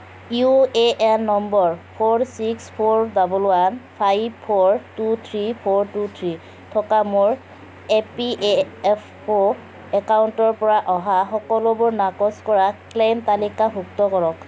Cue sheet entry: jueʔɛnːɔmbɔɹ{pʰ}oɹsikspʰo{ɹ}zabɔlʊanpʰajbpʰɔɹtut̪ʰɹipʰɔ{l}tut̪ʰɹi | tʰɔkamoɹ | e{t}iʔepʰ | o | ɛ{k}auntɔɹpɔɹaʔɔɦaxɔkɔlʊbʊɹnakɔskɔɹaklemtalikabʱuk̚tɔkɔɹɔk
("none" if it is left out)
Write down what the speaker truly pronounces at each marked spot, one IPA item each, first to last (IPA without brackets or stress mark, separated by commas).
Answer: pʰ, ɹ, ɹ, p, k